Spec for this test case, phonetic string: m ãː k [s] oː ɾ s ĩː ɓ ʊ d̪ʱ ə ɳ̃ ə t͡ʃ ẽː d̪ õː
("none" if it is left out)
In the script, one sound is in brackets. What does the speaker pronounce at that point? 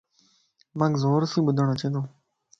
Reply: z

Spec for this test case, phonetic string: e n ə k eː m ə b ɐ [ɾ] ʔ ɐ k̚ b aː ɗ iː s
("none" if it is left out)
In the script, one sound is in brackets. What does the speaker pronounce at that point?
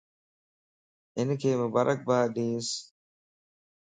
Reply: ɾ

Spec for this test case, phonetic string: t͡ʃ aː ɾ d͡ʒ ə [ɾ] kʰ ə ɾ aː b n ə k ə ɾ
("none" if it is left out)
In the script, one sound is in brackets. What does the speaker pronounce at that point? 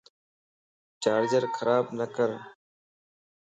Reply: ɾ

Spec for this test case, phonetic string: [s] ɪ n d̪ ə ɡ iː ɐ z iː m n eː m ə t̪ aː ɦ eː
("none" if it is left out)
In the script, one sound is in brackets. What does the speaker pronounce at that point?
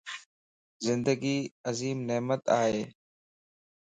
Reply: z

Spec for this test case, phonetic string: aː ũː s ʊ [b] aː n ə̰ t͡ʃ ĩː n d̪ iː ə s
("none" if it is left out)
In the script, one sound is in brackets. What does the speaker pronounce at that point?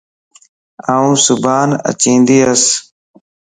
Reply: b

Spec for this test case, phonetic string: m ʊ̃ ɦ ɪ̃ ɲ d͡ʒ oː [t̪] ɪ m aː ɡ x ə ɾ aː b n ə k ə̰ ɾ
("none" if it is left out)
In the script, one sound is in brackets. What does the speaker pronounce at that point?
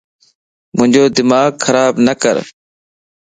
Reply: d̪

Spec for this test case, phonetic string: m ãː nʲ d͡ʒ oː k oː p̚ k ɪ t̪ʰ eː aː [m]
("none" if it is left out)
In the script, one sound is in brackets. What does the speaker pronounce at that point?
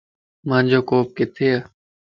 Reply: none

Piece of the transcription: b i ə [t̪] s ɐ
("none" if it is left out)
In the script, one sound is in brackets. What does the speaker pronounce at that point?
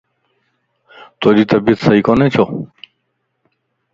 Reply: t̪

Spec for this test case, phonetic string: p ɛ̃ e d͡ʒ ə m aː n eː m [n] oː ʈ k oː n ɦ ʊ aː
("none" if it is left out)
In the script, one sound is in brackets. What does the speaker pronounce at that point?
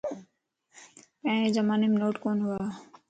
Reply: n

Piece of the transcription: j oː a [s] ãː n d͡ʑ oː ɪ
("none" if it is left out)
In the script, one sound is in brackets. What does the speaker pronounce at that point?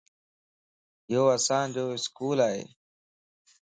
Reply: s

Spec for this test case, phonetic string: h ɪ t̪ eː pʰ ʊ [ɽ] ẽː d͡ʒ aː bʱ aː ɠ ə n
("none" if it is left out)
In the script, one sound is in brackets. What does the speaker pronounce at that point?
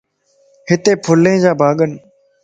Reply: l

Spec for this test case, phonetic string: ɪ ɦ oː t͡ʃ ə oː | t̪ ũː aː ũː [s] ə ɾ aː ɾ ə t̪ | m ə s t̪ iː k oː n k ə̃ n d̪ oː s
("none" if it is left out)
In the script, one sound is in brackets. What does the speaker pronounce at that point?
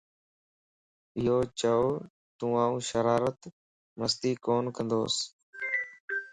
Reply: ʃ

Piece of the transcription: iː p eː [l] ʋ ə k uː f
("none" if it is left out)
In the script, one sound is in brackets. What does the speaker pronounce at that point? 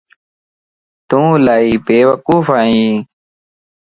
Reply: none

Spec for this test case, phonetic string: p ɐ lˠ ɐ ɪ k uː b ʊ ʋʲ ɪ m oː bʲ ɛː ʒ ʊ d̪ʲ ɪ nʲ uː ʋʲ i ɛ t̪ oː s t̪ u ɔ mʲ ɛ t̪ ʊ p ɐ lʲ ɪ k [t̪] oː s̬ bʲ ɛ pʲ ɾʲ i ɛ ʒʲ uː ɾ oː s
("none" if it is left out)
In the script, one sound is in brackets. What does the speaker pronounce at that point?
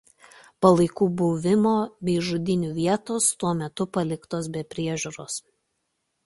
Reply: t̪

